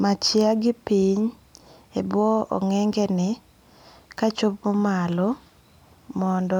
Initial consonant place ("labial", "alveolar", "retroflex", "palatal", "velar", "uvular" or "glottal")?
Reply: labial